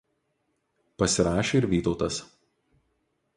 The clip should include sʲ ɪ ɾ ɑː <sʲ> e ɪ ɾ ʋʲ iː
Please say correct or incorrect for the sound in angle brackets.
incorrect